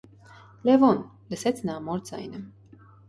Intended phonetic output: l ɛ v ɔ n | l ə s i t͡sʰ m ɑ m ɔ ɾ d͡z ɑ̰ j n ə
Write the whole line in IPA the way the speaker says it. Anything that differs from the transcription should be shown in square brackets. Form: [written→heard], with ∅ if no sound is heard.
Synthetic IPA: l ɛ v ɔ n | l ə s [i→ɛ] t͡sʰ [m→n] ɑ m ɔ ɾ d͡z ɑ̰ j n ə